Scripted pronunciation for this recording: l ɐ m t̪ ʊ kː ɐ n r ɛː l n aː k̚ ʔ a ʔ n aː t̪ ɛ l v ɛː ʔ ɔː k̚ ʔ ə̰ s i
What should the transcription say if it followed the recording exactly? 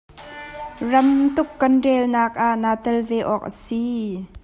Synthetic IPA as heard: r ɐ m t̪ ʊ kː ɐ n r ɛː l n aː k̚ ʔ a ʔ n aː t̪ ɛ l v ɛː ʔ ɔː k̚ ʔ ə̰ s i